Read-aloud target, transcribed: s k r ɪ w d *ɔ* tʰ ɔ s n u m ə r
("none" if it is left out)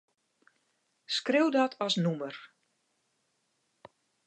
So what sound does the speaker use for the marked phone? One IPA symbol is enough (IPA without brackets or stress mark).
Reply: ɔ